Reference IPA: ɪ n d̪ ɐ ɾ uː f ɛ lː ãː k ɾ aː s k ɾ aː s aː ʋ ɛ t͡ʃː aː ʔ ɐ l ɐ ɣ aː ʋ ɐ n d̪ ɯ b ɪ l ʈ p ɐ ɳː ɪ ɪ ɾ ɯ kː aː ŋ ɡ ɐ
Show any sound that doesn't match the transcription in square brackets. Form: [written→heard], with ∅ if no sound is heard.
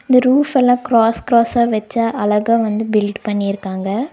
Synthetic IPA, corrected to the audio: ɪ n d̪ ɐ ɾ uː f ɛ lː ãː k ɾ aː s k ɾ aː s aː ʋ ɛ t͡ʃː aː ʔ ɐ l ɐ ɣ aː ʋ ɐ n d̪ ɯ b ɪ l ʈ p ɐ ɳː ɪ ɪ ɾ ɯ kː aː ŋ ɡ ɐ